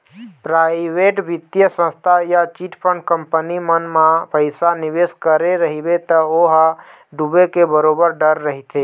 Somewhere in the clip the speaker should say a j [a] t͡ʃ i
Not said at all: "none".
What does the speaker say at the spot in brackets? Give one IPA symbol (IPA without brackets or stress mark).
a